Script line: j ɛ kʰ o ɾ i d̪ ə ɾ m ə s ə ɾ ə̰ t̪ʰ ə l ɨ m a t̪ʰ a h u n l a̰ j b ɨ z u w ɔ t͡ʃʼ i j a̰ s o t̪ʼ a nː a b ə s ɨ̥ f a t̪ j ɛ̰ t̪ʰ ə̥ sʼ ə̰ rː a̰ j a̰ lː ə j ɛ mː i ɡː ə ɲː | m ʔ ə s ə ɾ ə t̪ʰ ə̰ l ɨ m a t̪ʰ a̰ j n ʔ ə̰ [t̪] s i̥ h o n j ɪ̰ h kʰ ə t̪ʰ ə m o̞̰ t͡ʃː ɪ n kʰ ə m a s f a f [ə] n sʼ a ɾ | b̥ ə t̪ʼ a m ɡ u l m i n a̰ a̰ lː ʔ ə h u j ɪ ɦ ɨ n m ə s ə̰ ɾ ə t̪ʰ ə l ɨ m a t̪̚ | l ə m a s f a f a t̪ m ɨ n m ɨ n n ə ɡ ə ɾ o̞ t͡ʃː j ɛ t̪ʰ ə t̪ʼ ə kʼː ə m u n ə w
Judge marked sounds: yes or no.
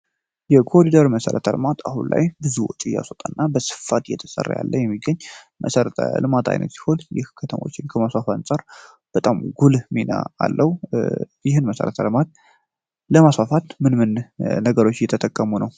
yes, no

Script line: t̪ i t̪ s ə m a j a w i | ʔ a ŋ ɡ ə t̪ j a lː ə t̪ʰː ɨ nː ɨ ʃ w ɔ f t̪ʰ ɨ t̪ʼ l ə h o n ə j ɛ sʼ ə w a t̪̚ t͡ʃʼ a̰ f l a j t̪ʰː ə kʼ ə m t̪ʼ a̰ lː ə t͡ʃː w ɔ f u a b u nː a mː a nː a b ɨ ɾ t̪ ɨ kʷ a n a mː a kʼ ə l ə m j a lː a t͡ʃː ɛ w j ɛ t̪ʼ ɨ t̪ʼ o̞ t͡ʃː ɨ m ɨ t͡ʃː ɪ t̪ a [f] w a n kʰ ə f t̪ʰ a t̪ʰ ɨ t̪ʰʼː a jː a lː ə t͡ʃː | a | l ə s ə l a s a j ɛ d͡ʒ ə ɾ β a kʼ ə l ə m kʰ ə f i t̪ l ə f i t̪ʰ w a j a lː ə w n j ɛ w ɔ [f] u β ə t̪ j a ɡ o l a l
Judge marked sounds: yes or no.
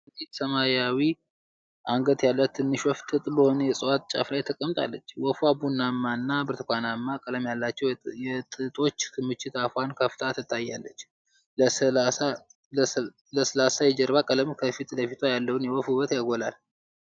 yes, yes

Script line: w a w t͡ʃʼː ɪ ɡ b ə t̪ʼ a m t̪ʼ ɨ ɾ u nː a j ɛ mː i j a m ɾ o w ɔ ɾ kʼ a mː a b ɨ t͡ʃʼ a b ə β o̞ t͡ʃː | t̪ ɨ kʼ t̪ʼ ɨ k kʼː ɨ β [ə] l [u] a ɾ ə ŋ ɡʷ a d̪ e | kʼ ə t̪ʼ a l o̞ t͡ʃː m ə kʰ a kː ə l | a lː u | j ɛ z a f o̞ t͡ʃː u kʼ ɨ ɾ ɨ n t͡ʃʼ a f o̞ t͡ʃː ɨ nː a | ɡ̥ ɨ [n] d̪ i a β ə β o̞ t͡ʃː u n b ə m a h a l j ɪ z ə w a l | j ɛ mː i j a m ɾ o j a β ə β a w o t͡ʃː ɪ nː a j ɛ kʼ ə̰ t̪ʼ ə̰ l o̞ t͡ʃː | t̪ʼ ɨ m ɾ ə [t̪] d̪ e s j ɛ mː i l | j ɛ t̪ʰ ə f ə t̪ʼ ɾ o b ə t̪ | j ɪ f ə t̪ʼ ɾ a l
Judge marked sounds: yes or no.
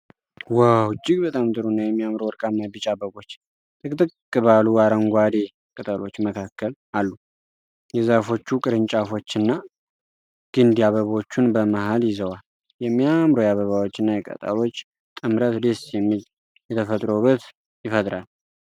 no, yes, yes, yes

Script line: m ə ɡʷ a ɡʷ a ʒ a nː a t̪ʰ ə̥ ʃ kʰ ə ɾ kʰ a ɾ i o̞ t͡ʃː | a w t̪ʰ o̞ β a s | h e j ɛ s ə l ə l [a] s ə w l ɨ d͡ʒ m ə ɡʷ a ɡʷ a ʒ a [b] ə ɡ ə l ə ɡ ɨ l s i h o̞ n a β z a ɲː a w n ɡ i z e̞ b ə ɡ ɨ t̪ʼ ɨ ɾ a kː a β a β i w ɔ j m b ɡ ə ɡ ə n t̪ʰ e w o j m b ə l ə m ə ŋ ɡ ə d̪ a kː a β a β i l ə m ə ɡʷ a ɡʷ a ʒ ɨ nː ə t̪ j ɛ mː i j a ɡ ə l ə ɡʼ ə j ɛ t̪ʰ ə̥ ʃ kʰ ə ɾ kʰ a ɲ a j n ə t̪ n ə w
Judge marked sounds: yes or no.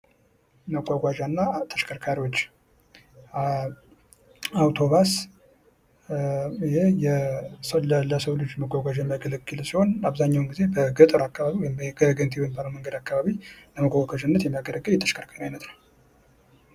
no, no

